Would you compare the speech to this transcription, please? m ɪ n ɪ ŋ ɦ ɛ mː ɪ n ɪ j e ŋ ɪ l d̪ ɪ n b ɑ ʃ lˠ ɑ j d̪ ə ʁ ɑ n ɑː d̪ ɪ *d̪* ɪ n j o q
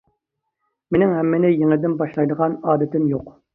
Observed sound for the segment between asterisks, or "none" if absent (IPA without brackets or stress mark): t̪